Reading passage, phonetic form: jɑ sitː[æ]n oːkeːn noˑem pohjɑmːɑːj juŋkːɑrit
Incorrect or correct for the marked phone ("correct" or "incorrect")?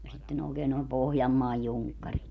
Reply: incorrect